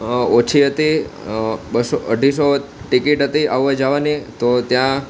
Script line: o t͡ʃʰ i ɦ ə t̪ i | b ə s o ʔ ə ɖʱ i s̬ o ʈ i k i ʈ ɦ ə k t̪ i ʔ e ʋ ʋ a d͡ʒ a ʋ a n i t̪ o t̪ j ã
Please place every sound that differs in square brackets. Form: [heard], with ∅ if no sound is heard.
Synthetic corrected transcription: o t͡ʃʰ i ɦ ə t̪ i | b ə s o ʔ ə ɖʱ i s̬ o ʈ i k i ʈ ɦ ə [∅] t̪ i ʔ [a] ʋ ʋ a d͡ʒ a ʋ a n i t̪ o t̪ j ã